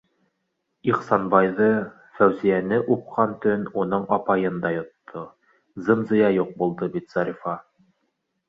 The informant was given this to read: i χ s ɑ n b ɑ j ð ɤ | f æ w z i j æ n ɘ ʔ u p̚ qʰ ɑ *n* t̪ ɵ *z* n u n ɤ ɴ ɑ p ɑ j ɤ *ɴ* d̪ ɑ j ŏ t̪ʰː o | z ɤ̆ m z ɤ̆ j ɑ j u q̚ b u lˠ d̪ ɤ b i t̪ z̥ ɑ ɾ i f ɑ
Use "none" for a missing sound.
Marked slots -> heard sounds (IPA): n, none, n

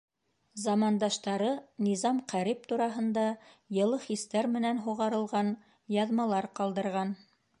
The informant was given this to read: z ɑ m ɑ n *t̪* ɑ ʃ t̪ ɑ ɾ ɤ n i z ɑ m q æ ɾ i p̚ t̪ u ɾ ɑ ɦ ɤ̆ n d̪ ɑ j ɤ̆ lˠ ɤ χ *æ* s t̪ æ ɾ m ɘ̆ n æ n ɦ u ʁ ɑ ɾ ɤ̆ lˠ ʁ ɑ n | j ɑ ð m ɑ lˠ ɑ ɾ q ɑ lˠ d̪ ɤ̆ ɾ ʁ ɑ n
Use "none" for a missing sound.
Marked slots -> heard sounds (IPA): d̪, i

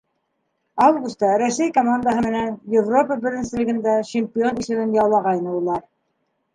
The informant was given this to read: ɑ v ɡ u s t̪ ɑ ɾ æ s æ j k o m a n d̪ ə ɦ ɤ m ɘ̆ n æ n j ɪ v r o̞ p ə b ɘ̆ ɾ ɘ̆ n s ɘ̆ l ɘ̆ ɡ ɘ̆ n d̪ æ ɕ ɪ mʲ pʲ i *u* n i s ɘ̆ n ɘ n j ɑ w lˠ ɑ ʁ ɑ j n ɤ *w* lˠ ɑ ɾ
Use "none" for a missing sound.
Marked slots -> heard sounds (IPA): o, u

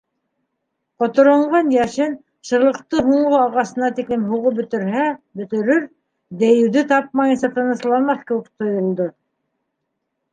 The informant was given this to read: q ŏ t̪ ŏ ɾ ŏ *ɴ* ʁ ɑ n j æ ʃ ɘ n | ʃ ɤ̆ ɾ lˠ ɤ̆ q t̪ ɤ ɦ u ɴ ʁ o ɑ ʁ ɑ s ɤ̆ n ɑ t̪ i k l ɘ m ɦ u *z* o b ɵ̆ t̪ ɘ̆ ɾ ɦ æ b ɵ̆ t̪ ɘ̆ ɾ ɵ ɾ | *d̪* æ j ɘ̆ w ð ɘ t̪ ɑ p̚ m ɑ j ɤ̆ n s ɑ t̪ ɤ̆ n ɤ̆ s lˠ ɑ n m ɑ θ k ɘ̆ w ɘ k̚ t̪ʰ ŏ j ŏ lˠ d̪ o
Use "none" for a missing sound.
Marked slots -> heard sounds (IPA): ɴ, ʁ, d̪

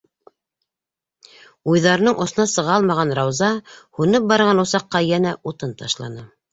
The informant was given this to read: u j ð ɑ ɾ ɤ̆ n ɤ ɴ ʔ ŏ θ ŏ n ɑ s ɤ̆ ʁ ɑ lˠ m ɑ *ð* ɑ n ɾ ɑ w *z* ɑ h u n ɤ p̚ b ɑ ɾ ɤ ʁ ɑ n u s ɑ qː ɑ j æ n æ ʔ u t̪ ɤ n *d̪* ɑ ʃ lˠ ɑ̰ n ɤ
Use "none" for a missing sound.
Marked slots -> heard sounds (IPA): ʁ, z, t̪

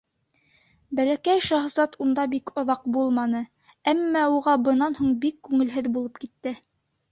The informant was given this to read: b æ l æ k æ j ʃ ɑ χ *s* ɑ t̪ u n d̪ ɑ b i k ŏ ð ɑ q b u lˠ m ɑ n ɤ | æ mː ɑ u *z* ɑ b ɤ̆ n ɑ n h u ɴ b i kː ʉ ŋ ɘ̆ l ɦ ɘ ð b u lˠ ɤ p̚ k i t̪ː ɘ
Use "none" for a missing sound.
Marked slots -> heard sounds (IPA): z, ʁ

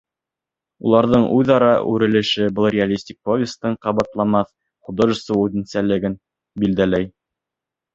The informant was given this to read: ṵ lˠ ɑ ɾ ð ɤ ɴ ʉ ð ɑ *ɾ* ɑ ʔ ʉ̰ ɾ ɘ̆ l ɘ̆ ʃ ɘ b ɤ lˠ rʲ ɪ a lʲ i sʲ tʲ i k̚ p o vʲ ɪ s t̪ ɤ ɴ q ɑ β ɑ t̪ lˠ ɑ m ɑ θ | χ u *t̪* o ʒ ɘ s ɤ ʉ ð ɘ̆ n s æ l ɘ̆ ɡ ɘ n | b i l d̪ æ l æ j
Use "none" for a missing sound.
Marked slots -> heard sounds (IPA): ɾ, d̪

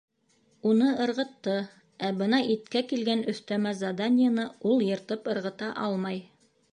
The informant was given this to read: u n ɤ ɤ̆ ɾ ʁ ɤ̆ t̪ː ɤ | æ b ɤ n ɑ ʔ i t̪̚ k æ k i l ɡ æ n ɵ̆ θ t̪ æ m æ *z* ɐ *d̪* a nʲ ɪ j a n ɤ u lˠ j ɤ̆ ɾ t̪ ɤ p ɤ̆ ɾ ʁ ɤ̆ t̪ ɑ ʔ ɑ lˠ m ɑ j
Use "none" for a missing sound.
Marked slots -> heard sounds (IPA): z, d̪

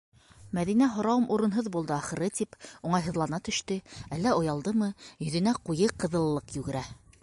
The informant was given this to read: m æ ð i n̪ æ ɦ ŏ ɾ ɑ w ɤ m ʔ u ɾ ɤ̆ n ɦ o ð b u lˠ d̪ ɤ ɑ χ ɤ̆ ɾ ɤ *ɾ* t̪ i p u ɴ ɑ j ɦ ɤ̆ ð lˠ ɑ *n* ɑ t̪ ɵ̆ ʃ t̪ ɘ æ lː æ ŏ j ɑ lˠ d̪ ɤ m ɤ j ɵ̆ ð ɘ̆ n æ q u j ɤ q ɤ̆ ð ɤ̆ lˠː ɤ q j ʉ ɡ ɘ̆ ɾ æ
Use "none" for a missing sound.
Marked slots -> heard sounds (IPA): none, n

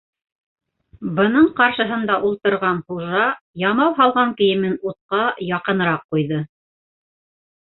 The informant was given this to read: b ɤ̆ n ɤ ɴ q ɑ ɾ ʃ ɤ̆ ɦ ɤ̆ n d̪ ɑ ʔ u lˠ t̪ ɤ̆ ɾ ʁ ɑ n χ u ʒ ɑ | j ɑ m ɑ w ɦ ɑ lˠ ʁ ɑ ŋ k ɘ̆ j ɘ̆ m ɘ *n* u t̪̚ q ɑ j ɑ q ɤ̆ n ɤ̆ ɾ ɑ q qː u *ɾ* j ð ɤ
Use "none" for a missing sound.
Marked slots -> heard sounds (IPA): n, none

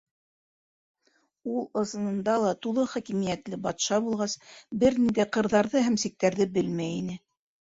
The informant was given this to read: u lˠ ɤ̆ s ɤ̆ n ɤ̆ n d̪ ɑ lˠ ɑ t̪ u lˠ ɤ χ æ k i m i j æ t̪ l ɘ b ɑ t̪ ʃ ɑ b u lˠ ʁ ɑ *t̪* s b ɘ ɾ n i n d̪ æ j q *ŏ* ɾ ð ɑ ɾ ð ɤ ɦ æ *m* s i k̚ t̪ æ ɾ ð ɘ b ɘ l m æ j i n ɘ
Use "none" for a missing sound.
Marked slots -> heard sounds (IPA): none, ɤ̆, m

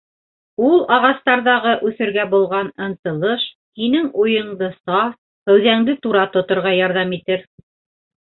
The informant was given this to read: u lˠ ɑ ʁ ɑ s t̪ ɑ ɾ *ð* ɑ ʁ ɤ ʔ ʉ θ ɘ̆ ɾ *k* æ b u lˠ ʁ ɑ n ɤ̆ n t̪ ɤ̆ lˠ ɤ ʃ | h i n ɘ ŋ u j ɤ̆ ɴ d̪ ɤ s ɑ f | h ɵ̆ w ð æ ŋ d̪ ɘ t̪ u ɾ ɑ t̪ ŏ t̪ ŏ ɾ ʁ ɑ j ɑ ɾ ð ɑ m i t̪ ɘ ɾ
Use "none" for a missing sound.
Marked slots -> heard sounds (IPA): ð, ɡ

